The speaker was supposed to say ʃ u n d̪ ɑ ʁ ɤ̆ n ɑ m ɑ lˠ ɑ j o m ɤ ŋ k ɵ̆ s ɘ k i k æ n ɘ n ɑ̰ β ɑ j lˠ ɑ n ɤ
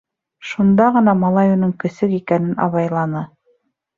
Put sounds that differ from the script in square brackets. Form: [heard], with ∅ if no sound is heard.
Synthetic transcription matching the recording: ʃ u n d̪ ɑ ʁ ɤ̆ n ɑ m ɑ lˠ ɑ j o [n] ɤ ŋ k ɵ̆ s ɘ k i k æ n ɘ n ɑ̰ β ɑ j lˠ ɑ n ɤ